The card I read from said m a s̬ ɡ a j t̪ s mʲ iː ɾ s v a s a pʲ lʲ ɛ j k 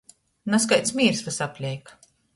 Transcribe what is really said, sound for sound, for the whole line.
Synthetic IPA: n a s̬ k a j t̪ s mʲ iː ɾ s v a s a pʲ lʲ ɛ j k

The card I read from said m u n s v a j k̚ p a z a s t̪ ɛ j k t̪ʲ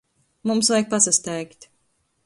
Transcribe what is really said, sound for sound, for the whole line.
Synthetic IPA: m u m s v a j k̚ p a s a s t̪ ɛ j k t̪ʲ

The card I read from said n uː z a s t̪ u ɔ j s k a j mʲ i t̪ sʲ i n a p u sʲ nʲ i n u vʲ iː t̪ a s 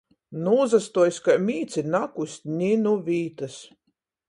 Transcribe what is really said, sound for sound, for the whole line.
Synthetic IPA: n uː z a s t̪ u ɔ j s k a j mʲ iː t̪ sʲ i n a k u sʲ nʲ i n u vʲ iː t̪ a s

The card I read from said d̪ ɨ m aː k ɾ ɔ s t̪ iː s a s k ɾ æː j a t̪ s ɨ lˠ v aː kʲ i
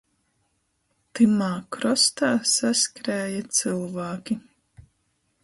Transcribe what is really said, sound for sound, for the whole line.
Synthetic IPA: t̪ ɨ m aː k ɾ ɔ s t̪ aː s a s k ɾ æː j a t̪ s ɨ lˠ v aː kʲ i

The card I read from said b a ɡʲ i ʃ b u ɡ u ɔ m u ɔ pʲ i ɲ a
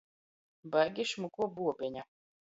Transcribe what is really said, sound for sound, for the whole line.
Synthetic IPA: b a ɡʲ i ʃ m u k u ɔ b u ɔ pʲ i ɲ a

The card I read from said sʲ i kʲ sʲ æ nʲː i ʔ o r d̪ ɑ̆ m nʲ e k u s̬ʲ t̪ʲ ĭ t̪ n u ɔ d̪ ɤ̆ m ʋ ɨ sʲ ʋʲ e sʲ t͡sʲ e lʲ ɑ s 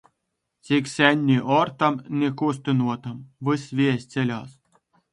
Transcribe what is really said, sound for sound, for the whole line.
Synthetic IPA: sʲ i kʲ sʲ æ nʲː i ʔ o r t̪ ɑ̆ m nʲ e k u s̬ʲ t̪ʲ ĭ n u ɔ t̪ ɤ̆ m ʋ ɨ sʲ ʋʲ e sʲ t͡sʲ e lʲ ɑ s

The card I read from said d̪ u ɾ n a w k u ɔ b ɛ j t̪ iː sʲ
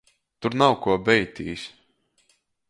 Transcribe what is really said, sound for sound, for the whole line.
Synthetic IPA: t̪ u ɾ n a w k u ɔ b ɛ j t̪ iː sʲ

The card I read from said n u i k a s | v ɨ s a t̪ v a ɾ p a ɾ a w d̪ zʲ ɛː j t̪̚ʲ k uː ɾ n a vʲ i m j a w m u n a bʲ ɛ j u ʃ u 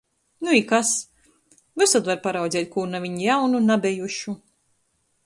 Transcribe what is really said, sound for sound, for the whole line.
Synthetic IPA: n u i k a s | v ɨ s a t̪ v a ɾ p a ɾ a w d̪ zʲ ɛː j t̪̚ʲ k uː ɾ n a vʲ i ɲ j a w n u n a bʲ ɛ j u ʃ u

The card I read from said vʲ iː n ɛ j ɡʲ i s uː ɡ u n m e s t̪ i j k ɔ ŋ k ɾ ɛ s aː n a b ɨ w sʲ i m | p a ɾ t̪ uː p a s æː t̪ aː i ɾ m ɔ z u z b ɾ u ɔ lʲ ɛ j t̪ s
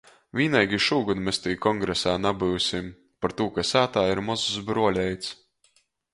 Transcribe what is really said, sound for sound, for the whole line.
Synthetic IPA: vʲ iː n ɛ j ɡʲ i ʃ uː ɡ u n m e s t̪ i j k ɔ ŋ ɡ ɾ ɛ s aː n a b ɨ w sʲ i m | p a ɾ t̪ uː k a s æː t̪ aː i ɾ m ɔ z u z b ɾ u ɔ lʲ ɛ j t̪ s

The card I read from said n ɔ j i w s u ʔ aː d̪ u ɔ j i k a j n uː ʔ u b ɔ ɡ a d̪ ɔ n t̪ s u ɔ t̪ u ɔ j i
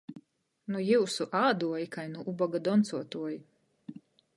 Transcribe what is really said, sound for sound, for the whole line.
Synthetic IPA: n u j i w s u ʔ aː d̪ u ɔ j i k a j n u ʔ u b ɔ ɡ a d̪ ɔ n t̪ s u ɔ t̪ u ɔ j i

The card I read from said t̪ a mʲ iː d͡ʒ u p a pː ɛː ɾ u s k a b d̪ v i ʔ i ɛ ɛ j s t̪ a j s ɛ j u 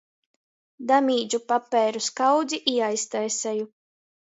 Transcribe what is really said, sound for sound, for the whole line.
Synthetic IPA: d̪ a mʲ iː d͡ʒ u p a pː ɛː ɾ u s k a w d̪ z i ʔ i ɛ a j s t̪ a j s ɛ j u

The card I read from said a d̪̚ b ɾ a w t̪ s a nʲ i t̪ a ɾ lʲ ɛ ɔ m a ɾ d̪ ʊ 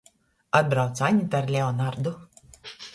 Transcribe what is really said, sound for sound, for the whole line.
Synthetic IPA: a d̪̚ b ɾ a w t̪ s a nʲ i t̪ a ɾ lʲ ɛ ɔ n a ɾ d̪ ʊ

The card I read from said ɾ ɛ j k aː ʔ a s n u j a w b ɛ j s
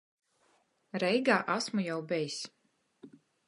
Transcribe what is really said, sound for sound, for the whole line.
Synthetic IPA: ɾ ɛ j ɡ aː ʔ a s m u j a w b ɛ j s

